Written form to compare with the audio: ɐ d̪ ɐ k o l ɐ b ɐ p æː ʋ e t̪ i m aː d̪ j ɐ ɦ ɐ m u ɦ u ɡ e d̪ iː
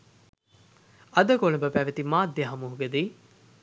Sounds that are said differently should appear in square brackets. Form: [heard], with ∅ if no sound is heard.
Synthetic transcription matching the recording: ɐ d̪ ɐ k o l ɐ b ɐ p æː ʋ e t̪ i m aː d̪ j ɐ ɦ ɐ m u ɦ u ɡ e d̪ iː